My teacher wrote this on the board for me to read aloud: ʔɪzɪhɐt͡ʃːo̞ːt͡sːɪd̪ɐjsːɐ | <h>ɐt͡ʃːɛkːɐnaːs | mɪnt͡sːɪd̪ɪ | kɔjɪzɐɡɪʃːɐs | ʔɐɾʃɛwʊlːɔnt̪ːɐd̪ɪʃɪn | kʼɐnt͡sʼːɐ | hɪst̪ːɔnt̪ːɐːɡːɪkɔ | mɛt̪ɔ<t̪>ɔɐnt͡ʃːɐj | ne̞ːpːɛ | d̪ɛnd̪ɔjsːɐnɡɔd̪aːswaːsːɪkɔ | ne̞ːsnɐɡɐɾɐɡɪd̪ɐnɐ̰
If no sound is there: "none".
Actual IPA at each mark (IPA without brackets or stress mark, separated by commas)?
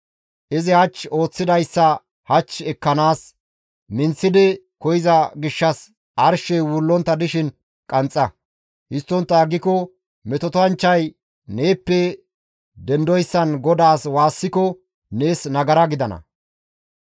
h, t̪